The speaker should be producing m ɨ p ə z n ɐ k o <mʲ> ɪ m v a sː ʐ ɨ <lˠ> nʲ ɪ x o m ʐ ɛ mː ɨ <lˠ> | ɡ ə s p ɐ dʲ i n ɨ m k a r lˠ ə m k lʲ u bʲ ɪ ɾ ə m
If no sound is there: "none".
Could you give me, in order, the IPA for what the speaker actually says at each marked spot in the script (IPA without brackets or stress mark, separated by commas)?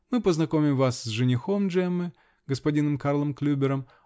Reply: mʲ, none, none